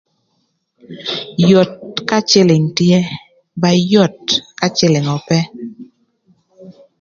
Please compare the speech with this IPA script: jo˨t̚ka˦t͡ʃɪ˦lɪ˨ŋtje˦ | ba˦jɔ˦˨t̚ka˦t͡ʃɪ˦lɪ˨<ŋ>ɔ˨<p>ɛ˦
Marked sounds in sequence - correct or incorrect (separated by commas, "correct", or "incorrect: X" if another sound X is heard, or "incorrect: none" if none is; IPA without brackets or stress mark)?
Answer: correct, correct